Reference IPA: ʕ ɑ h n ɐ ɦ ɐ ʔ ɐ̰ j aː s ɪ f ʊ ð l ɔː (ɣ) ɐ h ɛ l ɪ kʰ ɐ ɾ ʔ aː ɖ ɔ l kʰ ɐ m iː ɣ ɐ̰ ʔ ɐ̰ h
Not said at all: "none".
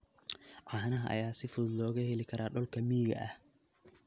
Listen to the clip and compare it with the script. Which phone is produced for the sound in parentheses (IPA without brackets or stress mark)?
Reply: ɣ